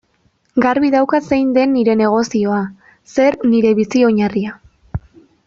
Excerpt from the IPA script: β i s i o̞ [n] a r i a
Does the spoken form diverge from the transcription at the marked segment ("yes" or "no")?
yes